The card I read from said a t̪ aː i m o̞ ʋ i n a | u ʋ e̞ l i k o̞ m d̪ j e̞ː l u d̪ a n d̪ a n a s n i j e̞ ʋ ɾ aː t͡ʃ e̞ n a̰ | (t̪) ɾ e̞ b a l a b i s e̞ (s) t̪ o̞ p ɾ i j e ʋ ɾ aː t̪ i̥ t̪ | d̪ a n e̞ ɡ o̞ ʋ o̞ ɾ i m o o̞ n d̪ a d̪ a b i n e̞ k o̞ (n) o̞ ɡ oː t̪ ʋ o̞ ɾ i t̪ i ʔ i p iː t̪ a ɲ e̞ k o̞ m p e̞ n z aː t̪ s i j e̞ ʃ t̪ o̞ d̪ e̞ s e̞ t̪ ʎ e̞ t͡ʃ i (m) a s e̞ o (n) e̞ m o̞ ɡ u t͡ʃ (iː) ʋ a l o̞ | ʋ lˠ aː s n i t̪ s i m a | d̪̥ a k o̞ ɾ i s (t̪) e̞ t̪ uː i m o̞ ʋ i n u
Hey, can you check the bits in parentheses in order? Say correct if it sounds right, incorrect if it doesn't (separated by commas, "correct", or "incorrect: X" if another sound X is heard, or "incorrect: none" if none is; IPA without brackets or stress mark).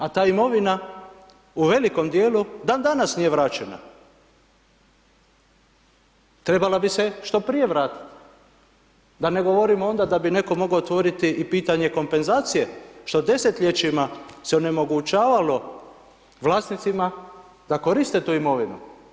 correct, incorrect: ʃ, incorrect: m, correct, correct, incorrect: aː, correct